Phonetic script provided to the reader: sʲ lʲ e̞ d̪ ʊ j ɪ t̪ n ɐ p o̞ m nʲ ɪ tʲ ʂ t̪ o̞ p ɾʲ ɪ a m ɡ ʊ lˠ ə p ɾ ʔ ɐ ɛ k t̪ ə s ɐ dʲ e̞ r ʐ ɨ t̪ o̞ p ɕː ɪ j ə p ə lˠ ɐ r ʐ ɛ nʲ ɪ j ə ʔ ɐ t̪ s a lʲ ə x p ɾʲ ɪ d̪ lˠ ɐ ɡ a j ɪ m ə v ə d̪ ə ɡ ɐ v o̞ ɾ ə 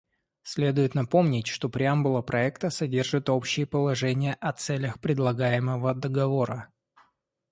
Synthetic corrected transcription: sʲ lʲ e̞ d̪ ʊ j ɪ t̪ n ɐ p o̞ m nʲ ɪ tʲ ʂ t̪ o̞ p ɾʲ ɪ a m b ʊ lˠ ə p ɾ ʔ ɐ ɛ k t̪ ə s ɐ dʲ e̞ r ʐ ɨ t̪ o̞ p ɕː ɪ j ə p ə lˠ ɐ ʐ ɛ nʲ ɪ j ə ʔ ɐ t̪ s ɛ lʲ ə x p ɾʲ ɪ d̪ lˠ ɐ ɡ a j ɪ m ə v ə d̪ ə ɡ ɐ v o̞ ɾ ə